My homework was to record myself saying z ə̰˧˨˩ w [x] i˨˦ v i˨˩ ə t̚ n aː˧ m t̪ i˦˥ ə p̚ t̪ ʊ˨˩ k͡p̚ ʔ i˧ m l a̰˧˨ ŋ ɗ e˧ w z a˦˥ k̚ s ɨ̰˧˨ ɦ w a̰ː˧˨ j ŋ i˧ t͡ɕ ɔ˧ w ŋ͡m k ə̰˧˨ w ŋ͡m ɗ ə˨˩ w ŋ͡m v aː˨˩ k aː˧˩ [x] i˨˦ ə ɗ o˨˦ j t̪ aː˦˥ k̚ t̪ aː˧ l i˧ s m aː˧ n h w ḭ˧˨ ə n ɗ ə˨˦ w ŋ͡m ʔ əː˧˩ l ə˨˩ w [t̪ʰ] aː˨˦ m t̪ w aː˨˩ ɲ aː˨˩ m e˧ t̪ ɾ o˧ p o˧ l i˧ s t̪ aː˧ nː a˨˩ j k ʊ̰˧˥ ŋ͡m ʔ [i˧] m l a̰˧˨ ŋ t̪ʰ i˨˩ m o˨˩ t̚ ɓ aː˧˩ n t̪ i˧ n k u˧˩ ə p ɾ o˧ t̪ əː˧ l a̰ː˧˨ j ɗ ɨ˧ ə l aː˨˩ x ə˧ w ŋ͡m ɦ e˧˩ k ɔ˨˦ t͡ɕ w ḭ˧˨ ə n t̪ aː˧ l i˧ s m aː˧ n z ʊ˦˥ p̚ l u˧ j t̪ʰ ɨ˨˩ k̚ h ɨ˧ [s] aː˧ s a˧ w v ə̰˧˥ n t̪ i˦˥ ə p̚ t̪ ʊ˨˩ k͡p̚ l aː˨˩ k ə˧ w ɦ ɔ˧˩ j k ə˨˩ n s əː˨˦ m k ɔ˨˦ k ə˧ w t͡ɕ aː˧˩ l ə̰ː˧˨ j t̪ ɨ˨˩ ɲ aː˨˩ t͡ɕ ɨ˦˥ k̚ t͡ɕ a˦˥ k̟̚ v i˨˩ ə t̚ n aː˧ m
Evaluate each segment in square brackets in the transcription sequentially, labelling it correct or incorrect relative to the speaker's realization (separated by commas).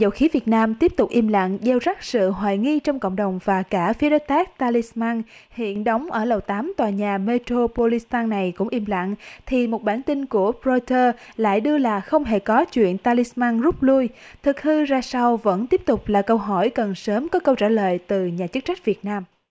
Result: correct, incorrect, incorrect, correct, incorrect